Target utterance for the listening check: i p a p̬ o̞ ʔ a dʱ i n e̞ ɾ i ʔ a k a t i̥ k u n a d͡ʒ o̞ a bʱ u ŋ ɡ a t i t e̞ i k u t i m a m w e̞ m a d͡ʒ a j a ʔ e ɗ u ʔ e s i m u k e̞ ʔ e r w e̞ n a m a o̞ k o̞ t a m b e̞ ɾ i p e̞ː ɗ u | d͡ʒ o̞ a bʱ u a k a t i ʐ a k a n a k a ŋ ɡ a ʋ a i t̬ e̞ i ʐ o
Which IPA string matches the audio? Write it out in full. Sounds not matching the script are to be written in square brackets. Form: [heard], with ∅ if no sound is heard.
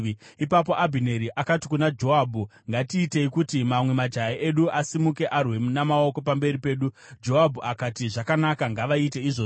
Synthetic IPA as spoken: i p a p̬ o̞ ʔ a [bʱ] i n e̞ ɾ i ʔ a k a t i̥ k u n a d͡ʒ o̞ a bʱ u ŋ ɡ a t [iː] t e̞ i k u t i m a m w e̞ m a d͡ʒ a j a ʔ e ɗ u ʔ [a] s i m u k e̞ ʔ [a] r w e̞ n a m a o̞ k o̞ [p] a m b e̞ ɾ i p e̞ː ɗ u | d͡ʒ o̞ a bʱ u a k a t i ʐ a k a n a k a ŋ ɡ a ʋ a i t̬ e̞ i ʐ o